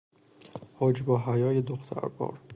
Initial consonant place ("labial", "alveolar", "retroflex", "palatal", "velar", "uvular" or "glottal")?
glottal